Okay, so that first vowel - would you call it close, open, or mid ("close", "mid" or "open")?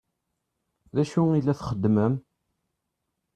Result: open